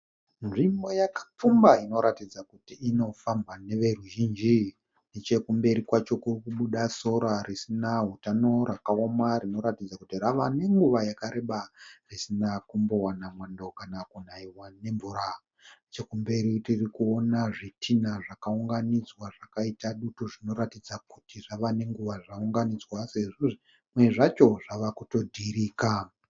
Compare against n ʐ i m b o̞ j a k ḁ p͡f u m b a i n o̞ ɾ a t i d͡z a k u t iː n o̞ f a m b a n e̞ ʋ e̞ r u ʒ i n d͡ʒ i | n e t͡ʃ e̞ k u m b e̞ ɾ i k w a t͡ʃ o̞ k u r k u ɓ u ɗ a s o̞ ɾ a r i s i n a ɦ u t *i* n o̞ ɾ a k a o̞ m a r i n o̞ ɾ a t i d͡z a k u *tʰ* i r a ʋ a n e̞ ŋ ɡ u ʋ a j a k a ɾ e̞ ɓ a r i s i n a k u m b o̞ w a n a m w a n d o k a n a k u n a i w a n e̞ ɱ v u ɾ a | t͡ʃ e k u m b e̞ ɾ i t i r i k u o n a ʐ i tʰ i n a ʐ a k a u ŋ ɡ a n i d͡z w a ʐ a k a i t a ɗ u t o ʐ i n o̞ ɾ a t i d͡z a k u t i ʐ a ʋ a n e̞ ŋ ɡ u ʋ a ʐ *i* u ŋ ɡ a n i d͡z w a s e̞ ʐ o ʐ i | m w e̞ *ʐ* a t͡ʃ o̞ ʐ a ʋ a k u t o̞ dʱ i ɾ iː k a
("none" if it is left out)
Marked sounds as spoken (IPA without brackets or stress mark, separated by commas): a, t, a, ʐ